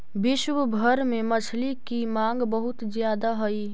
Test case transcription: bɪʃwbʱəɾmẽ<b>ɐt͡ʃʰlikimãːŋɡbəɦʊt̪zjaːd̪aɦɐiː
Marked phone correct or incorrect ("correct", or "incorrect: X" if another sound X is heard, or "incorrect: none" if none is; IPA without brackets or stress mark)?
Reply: incorrect: m